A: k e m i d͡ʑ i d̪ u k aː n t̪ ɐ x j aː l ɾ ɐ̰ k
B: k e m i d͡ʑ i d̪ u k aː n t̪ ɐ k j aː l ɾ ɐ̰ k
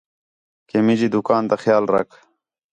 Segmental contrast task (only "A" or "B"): A